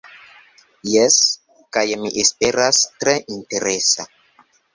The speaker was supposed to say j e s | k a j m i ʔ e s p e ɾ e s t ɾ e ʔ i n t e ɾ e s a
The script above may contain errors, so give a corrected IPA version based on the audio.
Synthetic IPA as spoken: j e s | k a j m i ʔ e s p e ɾ a s t ɾ e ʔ i n t e ɾ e s a